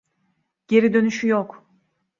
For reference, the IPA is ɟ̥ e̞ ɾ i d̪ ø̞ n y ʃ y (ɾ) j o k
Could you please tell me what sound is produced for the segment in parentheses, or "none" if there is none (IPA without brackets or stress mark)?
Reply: none